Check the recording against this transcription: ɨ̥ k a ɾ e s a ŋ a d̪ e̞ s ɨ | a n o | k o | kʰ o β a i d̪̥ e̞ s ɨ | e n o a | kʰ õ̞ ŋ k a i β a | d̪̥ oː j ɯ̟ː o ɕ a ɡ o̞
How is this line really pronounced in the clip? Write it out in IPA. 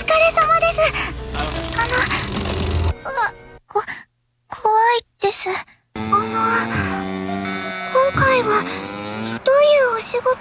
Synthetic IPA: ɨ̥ k a ɾ e s a m a d̪ e̞ s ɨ | a n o | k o | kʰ o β a i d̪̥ e̞ s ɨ | a n o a | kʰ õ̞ ŋ k a i β a | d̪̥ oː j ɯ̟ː o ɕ i ɡ o̞